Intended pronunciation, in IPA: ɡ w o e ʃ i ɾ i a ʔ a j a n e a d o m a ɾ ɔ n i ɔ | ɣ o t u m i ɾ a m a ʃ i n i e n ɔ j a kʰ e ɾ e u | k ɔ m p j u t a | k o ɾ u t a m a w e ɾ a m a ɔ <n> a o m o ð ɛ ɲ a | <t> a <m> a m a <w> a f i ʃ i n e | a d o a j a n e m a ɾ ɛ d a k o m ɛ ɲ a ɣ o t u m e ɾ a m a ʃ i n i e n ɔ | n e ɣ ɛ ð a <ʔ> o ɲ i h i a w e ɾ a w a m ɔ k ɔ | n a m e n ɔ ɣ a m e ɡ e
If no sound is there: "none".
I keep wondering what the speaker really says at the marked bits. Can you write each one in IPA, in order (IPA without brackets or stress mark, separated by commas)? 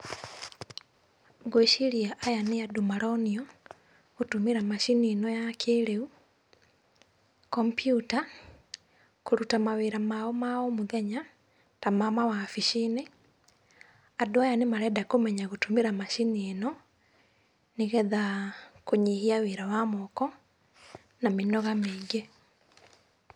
m, t, m, w, k